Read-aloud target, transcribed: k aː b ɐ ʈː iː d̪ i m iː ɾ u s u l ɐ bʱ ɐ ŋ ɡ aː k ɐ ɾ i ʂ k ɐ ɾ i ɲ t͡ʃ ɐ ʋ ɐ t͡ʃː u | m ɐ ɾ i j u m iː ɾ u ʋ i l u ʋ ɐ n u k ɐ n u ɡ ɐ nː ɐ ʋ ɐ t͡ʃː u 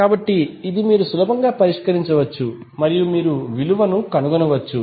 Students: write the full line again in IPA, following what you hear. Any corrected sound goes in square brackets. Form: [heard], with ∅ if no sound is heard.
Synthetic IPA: k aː b ɐ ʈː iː d̪ i m iː ɾ u s u l ɐ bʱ ɐ ŋ ɡ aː [p] ɐ ɾ i ʂ k ɐ ɾ i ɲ t͡ʃ ɐ ʋ ɐ t͡ʃː u | m ɐ ɾ i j u m iː ɾ u ʋ i l u ʋ ɐ n u k ɐ n u ɡ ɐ [n] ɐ ʋ ɐ t͡ʃː u